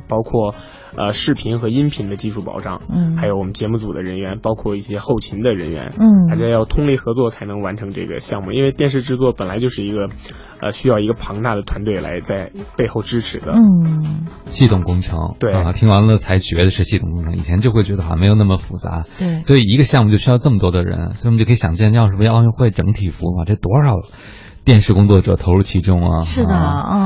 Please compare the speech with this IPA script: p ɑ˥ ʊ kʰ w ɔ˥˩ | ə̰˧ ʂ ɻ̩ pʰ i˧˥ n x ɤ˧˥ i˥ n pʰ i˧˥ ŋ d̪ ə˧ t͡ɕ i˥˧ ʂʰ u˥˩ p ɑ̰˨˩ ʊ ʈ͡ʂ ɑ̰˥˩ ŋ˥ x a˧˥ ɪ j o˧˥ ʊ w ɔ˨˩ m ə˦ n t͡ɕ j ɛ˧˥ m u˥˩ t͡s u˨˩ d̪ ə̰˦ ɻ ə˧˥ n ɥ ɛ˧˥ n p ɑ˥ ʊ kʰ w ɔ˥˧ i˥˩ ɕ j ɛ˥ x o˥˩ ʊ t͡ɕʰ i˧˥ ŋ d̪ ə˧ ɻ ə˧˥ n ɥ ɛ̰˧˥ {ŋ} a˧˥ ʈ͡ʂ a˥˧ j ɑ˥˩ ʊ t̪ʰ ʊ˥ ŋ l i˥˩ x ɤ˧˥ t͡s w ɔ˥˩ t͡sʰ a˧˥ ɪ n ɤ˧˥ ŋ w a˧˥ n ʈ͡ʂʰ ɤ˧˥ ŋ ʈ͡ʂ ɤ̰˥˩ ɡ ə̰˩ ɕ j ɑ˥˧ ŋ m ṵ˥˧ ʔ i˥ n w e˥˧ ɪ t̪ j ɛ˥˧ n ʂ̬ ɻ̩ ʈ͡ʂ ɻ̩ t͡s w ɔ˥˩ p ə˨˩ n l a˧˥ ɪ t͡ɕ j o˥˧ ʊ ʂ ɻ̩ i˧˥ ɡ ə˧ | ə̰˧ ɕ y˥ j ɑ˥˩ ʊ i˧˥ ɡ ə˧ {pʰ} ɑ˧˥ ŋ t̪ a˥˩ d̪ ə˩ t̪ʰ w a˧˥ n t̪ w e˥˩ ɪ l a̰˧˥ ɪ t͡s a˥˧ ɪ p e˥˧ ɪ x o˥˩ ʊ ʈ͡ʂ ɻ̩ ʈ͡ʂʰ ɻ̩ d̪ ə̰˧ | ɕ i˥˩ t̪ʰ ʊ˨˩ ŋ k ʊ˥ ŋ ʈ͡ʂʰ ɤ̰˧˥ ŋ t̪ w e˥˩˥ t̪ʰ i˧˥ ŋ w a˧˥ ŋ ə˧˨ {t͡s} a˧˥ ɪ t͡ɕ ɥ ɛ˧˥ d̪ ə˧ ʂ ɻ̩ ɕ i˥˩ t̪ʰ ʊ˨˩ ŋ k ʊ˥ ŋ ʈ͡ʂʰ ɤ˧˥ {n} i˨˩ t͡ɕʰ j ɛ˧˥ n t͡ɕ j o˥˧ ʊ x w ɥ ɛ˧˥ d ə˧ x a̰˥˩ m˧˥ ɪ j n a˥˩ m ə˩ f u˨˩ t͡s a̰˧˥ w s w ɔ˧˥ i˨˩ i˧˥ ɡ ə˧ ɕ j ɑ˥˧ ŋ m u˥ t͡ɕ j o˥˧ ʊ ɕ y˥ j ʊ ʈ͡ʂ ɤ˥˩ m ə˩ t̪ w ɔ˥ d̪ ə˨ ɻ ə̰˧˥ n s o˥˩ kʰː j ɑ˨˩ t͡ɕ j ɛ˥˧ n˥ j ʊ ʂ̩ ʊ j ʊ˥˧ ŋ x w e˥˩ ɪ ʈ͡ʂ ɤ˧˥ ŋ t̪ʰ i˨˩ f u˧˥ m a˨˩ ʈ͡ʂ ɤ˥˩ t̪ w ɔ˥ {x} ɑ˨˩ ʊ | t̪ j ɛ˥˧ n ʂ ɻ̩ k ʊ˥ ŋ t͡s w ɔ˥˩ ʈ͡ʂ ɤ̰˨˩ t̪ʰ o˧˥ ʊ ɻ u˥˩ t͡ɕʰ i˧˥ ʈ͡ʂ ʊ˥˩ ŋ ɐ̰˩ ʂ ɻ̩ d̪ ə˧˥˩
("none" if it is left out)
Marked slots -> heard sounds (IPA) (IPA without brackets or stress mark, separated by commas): n, pʰ, t͡sʰ, ŋ, ʂ